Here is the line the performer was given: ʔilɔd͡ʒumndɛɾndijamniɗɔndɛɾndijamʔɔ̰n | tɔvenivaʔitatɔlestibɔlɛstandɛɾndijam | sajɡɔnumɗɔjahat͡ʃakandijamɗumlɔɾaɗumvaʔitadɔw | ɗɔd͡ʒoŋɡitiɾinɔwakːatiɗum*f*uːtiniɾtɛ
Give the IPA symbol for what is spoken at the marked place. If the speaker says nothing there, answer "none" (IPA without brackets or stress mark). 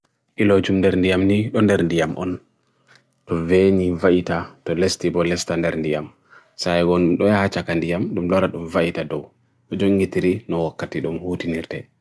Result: h